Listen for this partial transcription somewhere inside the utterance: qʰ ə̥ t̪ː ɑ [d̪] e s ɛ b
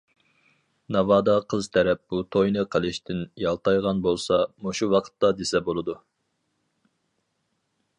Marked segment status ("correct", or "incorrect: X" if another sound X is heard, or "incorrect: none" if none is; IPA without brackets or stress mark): correct